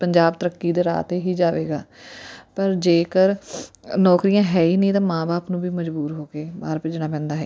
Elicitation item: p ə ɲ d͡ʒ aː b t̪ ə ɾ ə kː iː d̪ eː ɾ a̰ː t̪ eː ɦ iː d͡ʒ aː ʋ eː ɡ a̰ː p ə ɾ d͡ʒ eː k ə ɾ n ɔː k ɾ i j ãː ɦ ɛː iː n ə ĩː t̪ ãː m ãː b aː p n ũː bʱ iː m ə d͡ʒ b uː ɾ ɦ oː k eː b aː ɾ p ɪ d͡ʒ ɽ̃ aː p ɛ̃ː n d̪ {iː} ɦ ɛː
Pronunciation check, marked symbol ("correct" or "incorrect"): incorrect